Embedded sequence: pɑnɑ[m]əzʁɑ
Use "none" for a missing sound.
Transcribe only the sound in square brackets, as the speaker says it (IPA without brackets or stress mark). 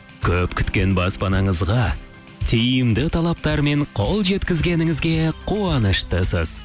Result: ɴ